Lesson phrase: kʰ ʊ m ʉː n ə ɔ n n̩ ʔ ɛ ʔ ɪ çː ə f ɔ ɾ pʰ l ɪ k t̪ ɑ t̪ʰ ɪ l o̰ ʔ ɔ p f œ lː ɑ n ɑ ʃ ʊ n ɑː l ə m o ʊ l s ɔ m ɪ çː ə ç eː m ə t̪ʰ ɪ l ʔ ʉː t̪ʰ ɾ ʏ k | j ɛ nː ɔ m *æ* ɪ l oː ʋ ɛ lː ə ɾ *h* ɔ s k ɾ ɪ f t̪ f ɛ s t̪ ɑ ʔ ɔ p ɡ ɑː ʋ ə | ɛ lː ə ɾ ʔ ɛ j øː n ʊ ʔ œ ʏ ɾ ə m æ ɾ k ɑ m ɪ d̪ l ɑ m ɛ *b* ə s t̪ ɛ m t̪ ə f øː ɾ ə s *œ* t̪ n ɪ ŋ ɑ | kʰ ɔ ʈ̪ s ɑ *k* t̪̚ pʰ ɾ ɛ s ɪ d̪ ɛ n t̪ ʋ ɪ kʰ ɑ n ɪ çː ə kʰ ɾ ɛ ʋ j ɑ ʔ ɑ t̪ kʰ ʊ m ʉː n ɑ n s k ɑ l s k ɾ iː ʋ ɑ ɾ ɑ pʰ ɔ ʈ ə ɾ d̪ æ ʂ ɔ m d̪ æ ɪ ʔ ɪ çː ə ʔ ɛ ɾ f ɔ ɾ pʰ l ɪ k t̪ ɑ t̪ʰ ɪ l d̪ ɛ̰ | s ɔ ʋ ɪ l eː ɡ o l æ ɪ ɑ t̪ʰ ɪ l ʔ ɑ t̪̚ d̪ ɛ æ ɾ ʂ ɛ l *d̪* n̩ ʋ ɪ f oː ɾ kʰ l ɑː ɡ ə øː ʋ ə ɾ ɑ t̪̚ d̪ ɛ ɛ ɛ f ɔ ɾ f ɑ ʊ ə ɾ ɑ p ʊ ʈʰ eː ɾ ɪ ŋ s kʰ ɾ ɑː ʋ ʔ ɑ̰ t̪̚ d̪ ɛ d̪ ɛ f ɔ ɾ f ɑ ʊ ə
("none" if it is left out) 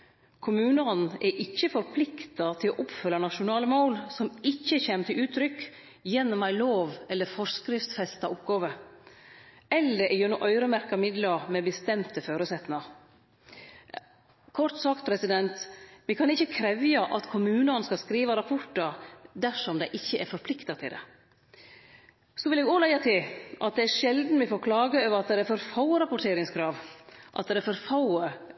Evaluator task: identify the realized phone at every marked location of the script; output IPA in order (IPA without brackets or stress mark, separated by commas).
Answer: æ, f, b, ɛ, k, d̪